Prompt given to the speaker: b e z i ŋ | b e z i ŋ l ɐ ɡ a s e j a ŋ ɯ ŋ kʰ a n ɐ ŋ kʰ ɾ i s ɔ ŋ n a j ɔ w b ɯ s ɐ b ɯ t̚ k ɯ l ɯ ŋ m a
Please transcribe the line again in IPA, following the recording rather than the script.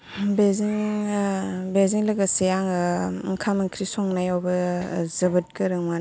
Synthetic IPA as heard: b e z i ŋ | b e z i ŋ l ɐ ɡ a s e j a ŋ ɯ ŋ kʰ a m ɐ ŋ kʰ ɾ i s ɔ ŋ n a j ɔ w b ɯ z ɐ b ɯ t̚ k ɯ ɾ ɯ ŋ m a

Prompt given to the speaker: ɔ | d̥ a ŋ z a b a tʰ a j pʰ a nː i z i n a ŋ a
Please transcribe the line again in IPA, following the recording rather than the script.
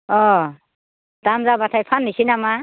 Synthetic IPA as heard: ɔ | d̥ a m z a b a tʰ a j pʰ a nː i s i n a m a

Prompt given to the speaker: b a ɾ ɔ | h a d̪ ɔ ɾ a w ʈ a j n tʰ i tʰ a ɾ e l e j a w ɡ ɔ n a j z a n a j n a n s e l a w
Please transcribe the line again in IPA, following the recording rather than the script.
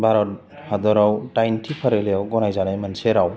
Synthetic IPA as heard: b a ɾ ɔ | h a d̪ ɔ ɾ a w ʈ a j n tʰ i pʰ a ɾ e l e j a w ɡ ɔ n a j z a n a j m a n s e ɾ a w

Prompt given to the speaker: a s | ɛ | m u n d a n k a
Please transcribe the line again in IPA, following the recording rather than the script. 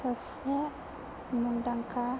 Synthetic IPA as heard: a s | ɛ | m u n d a ŋ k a

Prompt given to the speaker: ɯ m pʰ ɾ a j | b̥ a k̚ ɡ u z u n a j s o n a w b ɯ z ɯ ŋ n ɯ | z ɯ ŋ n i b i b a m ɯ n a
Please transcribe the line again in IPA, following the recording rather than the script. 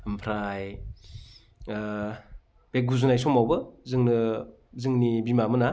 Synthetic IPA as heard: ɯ m pʰ ɾ a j | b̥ e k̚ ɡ u z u n a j s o m a w b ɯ z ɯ ŋ n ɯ | z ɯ ŋ n i b i m a m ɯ n a

